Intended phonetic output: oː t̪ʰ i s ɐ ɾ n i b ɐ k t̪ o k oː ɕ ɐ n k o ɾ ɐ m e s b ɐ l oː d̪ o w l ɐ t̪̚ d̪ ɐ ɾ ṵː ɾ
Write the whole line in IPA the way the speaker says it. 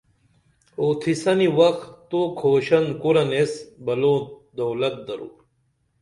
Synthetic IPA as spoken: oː t̪ʰ i s ɐ n i w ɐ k t̪ o kʰ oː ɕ ɐ n k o ɾ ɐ n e s b ɐ l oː d̪ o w l ɐ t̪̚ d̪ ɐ ɾ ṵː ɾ